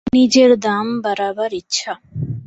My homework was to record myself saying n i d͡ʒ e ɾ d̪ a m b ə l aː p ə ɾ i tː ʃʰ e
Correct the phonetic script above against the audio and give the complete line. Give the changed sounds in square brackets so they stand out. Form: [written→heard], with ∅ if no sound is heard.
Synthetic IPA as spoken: n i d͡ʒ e ɾ d̪ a m b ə [l→ɾ] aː [p→b] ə ɾ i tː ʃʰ [e→a]